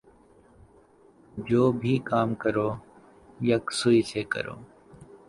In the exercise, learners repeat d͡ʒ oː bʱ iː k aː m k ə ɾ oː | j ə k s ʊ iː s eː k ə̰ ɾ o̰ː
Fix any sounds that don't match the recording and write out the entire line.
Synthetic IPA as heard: d͡ʒ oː bʱ iː k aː m k ə ɾ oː | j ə k s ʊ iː s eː k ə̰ ɾ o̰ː